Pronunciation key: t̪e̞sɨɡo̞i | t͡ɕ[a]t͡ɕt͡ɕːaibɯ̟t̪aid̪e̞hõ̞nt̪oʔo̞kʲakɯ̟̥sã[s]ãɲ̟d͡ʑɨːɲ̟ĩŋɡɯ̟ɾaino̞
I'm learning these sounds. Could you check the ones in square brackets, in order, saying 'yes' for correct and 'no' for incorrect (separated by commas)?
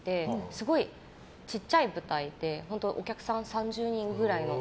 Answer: no, yes